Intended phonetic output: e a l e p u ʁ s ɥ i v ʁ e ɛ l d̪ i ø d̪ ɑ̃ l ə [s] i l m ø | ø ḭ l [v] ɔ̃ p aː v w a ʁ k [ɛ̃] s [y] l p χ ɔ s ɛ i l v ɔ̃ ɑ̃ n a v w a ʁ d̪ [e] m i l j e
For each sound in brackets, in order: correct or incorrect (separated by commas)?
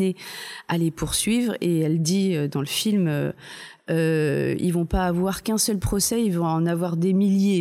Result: incorrect, correct, correct, incorrect, correct